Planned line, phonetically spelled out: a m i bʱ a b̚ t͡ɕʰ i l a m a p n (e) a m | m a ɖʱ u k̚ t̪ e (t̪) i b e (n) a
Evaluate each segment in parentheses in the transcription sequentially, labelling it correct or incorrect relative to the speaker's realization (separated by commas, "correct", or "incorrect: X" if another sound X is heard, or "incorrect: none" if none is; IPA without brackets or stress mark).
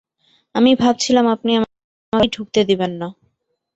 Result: incorrect: i, incorrect: d̪, incorrect: nː